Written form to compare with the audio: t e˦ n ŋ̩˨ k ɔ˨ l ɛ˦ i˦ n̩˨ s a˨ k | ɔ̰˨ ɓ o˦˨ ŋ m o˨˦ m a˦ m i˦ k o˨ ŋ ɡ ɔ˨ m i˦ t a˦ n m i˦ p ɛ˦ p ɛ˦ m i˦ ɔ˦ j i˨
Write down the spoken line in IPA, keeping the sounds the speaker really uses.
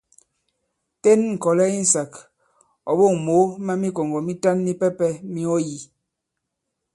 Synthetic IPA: t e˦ n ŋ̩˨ k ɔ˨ l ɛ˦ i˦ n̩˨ s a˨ k | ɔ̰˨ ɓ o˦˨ ŋ m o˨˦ m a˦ m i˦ k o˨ ŋ ɡ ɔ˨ m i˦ t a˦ n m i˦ p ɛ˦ p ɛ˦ m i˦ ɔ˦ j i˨